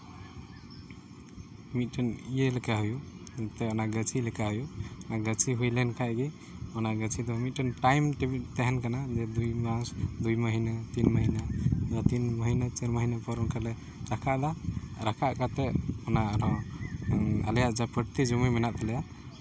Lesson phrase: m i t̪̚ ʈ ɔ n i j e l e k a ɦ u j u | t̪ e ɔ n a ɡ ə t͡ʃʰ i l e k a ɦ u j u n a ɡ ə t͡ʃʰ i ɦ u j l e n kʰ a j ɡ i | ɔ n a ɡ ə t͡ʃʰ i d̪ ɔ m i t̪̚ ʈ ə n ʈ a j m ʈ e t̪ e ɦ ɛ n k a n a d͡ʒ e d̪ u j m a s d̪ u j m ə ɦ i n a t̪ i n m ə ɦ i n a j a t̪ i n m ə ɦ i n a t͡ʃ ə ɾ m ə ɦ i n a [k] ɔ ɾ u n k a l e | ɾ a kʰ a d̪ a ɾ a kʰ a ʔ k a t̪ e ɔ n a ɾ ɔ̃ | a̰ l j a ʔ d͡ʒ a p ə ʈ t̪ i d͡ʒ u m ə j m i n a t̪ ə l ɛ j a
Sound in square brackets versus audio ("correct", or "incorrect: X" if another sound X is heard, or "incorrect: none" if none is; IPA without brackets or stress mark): incorrect: p